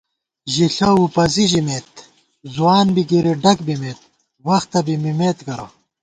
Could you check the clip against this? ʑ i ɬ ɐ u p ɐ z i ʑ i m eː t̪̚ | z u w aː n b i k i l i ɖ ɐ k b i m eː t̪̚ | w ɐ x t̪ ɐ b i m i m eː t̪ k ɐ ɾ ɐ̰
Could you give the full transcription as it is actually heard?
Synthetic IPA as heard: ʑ i ɬ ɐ u p ɐ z i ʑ i m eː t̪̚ | z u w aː n b i k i ɾ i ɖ ɐ k b i m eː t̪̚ | w ɐ x t̪ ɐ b i m i m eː t̪ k ɐ ɾ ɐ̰